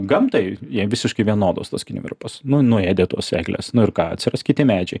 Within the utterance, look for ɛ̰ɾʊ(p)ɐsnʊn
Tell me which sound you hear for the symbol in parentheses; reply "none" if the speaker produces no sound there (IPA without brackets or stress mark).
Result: p